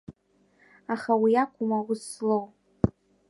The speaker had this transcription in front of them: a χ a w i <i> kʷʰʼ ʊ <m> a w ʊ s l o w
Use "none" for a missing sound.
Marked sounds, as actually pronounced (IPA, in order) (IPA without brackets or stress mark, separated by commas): a, m